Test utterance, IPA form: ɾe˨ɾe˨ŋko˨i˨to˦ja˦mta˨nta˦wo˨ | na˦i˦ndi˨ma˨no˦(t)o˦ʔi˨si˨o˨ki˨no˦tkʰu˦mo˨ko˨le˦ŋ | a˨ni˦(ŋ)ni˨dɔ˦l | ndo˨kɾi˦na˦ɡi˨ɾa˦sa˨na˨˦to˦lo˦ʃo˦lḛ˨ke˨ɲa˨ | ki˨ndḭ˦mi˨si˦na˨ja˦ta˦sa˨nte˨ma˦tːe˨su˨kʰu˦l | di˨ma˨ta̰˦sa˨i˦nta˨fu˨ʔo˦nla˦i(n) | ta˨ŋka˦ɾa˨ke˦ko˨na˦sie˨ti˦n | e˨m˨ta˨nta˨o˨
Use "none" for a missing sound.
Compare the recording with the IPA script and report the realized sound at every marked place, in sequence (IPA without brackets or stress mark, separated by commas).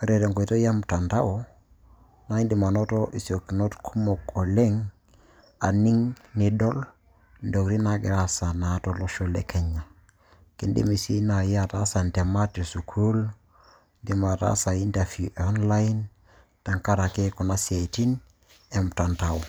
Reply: t, ŋ, n